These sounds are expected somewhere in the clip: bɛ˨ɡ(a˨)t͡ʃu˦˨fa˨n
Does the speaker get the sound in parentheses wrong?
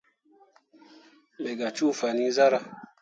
no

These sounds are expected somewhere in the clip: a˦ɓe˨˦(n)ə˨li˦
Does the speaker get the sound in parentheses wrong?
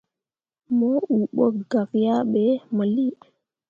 yes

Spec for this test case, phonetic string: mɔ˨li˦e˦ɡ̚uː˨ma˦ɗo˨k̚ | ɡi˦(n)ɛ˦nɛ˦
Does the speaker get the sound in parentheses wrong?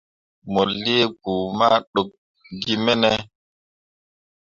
yes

